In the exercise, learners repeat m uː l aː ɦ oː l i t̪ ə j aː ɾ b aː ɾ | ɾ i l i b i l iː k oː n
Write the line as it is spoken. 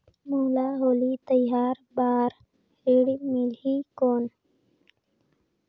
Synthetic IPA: m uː l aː ɦ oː l i t̪ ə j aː ɾ b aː ɾ | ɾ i ɽ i m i l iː k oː n